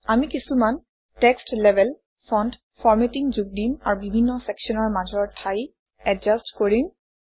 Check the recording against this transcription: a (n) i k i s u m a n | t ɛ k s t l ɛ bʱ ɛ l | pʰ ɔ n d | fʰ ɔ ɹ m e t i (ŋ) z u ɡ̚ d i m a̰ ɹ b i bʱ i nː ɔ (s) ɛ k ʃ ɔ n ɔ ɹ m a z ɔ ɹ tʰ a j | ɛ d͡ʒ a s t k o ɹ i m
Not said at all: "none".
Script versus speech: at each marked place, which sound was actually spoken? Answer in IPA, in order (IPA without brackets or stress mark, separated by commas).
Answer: m, ŋ, s